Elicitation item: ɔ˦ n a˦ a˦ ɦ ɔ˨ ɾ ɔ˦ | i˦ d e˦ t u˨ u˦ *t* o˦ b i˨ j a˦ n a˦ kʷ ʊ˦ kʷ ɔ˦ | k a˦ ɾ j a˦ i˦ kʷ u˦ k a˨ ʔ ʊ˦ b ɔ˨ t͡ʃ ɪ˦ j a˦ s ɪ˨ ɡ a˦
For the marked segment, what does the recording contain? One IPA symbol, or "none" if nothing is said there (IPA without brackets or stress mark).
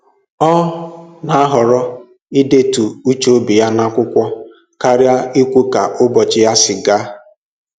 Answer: t͡ʃ